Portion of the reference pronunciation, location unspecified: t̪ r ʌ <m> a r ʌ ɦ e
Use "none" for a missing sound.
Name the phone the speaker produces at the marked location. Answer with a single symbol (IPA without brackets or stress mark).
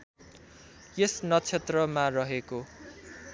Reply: m